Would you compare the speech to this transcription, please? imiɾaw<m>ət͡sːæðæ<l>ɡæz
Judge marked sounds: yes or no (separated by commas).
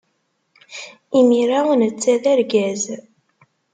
no, no